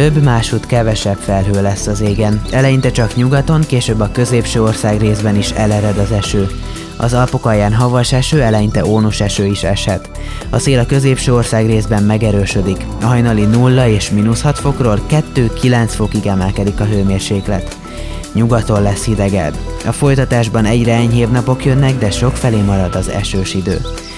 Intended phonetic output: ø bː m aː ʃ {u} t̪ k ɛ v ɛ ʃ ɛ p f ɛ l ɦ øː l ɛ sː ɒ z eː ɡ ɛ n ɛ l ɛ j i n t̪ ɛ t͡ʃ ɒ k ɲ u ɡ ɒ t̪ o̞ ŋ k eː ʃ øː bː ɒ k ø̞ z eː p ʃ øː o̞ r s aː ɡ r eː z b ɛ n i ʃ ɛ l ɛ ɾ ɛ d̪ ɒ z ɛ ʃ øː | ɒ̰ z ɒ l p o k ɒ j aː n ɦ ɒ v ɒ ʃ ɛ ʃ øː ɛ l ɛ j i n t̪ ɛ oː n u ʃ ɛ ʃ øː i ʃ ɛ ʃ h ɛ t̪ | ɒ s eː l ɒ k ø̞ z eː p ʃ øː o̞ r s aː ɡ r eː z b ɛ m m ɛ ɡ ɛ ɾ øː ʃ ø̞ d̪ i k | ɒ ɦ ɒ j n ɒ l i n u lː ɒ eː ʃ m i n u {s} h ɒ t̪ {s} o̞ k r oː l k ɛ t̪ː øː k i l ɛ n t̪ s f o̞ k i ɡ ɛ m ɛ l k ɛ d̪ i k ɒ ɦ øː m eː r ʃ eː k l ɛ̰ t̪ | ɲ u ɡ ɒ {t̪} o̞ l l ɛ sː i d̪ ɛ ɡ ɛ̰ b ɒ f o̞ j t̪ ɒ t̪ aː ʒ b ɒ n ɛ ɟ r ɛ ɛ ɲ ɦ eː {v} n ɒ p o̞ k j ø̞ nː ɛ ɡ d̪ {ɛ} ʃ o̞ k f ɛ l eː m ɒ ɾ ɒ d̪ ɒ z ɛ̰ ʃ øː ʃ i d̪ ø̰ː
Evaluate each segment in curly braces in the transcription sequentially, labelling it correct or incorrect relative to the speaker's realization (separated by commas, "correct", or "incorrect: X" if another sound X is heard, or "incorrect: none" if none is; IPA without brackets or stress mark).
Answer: correct, correct, incorrect: f, correct, correct, correct